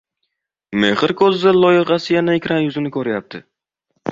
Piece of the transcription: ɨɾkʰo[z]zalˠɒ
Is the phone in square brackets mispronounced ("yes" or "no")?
no